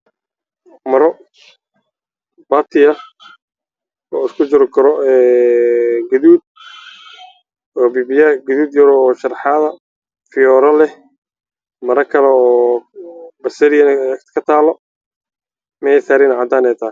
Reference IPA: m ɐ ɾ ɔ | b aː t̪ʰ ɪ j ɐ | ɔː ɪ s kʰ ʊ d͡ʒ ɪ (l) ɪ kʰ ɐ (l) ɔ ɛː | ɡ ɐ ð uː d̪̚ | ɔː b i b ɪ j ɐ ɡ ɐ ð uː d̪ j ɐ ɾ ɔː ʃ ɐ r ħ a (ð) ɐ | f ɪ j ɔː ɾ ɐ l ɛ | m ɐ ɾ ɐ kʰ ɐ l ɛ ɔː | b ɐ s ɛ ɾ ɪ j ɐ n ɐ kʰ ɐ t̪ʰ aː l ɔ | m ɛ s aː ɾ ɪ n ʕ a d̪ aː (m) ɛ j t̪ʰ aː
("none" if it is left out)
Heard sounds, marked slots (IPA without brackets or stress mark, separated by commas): ɾ, ɾ, ð, n